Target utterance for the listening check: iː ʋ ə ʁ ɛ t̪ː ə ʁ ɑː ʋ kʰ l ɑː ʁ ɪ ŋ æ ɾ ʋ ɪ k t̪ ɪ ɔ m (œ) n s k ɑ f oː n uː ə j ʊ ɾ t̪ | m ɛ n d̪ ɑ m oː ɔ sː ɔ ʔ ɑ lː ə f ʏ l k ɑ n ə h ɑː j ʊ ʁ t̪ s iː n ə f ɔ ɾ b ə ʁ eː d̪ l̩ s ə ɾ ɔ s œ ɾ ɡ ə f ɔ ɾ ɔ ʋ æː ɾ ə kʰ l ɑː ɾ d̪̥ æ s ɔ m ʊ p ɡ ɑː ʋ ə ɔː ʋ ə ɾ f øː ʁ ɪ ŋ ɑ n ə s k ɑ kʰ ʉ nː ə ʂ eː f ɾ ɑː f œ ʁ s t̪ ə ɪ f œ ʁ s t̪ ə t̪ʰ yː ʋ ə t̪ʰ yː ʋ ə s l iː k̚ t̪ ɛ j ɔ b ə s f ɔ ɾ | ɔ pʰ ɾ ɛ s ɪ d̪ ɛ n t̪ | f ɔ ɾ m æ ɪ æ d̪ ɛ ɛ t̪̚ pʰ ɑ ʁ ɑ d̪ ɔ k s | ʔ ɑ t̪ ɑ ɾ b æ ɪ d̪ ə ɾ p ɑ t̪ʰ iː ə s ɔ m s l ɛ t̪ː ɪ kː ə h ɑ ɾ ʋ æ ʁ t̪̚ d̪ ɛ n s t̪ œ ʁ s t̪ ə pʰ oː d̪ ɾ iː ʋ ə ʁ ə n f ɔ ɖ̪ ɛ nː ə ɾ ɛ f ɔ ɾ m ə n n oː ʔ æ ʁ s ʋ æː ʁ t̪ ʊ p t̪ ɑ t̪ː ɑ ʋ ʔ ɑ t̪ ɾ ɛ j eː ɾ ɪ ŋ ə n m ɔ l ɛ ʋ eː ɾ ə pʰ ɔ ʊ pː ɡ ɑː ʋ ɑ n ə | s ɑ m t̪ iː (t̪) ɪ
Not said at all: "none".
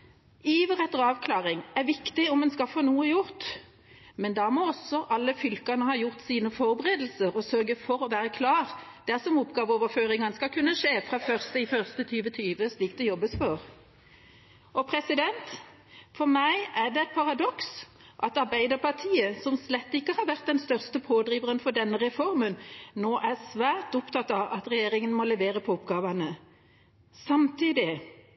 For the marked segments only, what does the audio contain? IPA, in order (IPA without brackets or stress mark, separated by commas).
ɛ, d̪